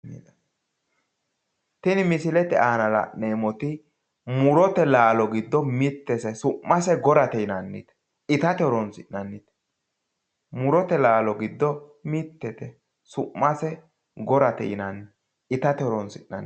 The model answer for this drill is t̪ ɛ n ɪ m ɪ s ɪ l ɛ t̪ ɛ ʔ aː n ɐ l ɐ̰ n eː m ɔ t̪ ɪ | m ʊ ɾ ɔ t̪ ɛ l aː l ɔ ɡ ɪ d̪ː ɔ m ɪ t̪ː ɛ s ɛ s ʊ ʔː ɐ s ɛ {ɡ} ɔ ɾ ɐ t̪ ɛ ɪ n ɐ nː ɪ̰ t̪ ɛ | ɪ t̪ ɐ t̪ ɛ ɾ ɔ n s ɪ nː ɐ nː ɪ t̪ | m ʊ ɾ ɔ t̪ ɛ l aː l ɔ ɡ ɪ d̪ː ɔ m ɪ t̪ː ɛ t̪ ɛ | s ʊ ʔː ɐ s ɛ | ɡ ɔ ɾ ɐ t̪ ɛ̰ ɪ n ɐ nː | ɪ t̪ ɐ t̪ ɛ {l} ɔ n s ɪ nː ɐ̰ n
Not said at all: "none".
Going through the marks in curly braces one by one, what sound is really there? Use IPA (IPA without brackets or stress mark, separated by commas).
ɡ, ɾ